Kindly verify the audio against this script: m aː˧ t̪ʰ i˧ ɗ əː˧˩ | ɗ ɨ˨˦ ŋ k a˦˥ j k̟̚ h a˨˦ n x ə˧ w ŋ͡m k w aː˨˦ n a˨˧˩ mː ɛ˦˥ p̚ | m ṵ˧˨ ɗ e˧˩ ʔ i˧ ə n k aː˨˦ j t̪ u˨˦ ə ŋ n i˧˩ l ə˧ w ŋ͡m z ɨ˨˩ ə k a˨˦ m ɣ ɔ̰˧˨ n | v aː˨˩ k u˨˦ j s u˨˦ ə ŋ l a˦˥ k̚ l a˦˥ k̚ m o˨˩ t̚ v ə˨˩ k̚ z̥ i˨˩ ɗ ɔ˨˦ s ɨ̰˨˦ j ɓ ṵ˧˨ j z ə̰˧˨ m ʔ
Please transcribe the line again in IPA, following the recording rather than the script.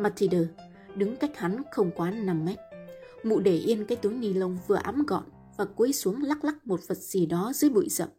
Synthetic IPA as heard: m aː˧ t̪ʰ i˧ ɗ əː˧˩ | ɗ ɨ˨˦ ŋ k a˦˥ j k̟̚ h a˨˦ n x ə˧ w ŋ͡m k w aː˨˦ n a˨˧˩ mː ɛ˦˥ t̚ | m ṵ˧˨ ɗ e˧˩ ʔ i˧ ə n k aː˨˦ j t̪ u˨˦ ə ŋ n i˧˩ l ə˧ w ŋ͡m v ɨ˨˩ ə ʔ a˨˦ m ɣ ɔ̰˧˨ n | v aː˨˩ k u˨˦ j s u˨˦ ə ŋ l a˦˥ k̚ l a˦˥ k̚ m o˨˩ t̚ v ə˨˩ t̚ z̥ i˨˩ ɗ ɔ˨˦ z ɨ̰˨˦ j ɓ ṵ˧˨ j z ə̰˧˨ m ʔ